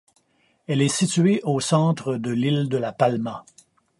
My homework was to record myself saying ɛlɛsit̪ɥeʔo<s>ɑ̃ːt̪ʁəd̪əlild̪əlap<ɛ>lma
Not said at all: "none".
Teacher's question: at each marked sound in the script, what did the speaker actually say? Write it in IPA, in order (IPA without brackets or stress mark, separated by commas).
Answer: s, a